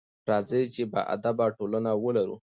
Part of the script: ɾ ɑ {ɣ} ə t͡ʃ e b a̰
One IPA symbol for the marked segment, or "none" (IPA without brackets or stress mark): z